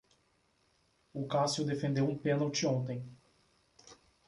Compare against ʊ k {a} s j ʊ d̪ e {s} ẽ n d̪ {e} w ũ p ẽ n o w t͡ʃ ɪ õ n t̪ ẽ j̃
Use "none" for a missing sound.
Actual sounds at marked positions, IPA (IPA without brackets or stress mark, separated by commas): a, f, e